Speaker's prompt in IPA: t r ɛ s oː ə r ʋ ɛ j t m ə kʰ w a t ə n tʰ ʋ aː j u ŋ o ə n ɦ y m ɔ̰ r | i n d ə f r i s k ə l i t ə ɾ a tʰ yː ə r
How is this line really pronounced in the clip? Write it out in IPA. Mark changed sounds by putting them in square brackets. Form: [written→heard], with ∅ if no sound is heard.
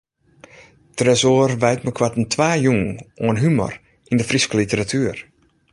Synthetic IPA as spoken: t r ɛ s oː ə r ʋ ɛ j t m ə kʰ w a t ə n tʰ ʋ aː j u ŋ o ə n ɦ y m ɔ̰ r | i n d ə f r i s k ə l i t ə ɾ a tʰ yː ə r